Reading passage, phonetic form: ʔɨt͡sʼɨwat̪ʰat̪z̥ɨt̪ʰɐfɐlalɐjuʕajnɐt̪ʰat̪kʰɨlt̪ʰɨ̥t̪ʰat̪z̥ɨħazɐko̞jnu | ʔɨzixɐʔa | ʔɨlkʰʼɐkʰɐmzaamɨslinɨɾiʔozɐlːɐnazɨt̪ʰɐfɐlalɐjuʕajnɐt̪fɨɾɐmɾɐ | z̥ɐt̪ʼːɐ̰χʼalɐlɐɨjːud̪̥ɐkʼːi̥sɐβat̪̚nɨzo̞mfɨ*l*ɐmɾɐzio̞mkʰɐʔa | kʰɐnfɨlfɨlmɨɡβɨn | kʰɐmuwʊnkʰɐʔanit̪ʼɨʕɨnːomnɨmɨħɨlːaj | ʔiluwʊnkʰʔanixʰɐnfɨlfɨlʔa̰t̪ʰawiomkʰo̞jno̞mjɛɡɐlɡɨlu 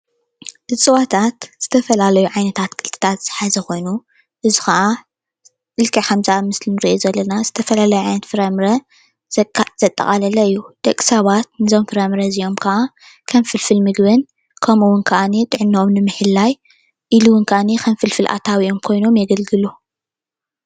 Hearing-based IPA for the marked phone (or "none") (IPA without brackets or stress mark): ɾ